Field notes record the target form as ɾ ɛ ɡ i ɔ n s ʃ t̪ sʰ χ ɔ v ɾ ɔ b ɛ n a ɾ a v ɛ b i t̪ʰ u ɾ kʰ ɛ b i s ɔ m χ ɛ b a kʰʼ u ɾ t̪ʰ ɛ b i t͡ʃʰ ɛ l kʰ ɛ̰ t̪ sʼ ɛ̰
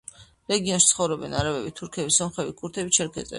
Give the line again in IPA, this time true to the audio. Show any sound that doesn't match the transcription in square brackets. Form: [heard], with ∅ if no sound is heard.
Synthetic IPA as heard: ɾ ɛ ɡ i ɔ n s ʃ t̪ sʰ χ ɔ v ɾ ɔ b ɛ n a ɾ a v ɛ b i t̪ʰ u ɾ kʰ ɛ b i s ɔ m χ ɛ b [i] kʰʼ u ɾ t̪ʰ ɛ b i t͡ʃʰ ɛ [ɾ] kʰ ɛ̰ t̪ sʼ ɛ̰